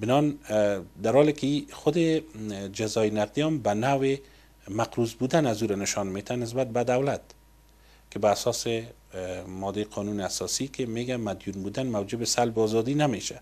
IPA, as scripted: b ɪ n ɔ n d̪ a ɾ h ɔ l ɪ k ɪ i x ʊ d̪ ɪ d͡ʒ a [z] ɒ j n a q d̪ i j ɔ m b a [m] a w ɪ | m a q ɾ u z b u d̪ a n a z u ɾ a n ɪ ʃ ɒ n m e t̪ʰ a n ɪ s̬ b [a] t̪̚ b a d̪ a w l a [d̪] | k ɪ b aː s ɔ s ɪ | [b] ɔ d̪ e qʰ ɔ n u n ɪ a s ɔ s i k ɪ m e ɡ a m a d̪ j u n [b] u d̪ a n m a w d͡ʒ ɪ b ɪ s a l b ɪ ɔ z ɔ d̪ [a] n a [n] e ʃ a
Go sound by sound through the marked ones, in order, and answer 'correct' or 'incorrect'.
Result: correct, incorrect, correct, incorrect, incorrect, correct, incorrect, incorrect

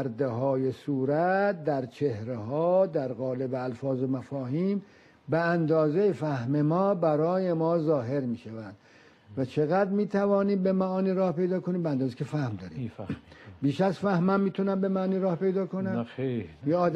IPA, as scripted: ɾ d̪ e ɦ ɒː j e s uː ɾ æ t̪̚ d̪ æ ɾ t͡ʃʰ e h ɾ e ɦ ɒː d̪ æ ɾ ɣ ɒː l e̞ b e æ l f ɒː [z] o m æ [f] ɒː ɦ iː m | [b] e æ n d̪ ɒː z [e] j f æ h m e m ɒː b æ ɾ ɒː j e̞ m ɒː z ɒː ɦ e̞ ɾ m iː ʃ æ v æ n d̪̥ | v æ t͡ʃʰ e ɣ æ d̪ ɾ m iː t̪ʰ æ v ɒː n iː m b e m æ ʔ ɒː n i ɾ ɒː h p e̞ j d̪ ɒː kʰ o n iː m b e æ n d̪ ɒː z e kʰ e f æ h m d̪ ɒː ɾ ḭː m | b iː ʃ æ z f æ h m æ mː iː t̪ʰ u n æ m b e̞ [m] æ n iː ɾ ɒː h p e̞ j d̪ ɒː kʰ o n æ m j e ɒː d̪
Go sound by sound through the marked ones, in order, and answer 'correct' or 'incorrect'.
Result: correct, correct, correct, correct, correct

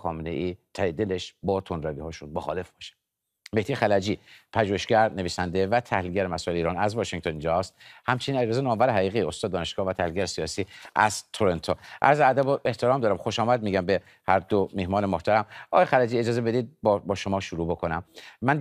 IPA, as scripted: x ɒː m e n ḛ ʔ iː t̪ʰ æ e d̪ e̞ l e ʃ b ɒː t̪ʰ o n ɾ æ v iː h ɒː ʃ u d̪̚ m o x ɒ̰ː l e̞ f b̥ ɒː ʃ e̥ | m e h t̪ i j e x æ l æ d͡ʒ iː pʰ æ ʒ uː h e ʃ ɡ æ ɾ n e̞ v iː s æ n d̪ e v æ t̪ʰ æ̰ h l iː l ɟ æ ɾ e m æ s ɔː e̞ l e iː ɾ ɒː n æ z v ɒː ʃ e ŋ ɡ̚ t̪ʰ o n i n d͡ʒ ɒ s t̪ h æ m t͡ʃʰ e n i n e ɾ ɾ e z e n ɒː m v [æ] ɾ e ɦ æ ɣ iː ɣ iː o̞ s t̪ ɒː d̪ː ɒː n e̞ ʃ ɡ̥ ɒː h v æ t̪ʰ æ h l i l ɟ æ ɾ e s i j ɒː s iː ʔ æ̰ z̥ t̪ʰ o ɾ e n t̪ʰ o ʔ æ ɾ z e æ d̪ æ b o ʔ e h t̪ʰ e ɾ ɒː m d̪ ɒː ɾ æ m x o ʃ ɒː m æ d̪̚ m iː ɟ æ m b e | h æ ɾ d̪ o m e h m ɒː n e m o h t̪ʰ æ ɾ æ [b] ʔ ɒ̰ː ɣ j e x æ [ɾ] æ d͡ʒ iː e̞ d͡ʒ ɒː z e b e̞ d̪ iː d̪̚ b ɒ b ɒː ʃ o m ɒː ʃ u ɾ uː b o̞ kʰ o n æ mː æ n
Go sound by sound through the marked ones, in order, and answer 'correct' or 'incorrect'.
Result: correct, incorrect, incorrect

